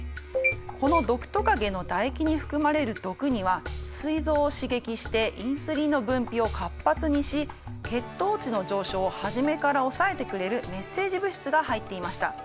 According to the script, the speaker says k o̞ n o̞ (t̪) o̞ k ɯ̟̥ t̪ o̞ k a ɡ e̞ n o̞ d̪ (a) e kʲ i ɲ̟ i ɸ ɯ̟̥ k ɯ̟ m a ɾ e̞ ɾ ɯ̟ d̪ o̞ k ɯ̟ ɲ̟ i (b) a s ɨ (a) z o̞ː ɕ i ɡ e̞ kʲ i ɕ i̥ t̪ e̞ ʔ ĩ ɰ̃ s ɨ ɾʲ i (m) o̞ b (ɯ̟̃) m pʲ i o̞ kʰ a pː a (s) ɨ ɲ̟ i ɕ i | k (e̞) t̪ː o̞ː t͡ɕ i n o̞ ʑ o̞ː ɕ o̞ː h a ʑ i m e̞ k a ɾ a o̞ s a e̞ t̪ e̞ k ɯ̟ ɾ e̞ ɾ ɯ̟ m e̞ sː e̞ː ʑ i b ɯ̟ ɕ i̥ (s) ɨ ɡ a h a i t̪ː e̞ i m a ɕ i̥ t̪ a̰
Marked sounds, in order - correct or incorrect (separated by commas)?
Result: incorrect, correct, incorrect, incorrect, incorrect, correct, incorrect, correct, incorrect